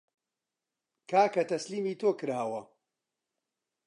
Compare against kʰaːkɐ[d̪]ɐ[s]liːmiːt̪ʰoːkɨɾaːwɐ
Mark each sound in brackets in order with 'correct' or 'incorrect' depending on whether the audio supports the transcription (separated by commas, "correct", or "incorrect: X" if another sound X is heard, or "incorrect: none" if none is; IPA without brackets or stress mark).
incorrect: t̪, correct